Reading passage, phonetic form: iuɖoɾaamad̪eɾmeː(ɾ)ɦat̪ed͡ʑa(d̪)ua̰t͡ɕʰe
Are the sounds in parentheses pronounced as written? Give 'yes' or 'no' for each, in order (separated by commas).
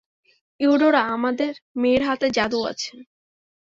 yes, yes